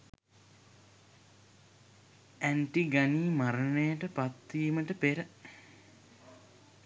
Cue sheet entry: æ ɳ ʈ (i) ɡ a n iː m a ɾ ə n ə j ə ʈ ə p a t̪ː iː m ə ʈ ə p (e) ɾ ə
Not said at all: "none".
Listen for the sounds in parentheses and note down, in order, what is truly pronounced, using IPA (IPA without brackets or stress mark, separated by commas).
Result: i, e